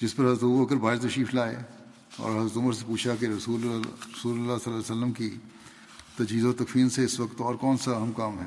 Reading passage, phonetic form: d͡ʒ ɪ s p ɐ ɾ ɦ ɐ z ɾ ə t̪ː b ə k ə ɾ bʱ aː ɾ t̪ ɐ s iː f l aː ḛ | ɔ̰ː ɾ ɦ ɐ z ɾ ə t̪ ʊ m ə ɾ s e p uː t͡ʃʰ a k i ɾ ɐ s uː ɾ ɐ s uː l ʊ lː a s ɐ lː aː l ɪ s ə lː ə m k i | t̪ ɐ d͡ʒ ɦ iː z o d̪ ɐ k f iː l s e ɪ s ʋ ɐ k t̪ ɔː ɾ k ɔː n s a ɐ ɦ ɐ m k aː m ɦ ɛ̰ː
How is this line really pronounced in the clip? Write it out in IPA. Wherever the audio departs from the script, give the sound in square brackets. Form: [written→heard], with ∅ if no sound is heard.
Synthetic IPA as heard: d͡ʒ ɪ s p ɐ ɾ ɦ ɐ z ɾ ə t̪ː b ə k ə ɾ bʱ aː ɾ t̪ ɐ [s→ʃ] iː f l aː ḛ | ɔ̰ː ɾ ɦ ɐ z ɾ ə t̪ ʊ m ə ɾ s e p uː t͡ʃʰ a k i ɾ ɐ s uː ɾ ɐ s uː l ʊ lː a s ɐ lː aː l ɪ s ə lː ə m k i | t̪ ɐ d͡ʒ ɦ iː z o [d̪→t̪] ɐ k f iː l s e ɪ s ʋ ɐ k t̪ ɔː ɾ k ɔː n s a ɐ ɦ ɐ m k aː m ɦ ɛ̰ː